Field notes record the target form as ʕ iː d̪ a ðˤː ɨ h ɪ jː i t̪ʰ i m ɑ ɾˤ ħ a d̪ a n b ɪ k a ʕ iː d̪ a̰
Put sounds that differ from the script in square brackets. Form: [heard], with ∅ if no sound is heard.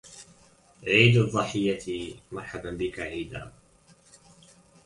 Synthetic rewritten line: ʕ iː d̪ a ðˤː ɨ [ħ] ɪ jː [a] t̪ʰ i m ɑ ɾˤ ħ a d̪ a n b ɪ k a ʕ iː d̪ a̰